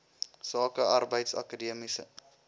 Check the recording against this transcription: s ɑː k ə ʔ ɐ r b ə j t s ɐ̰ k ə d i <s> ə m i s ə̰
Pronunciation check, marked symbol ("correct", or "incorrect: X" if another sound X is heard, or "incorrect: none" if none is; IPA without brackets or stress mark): incorrect: none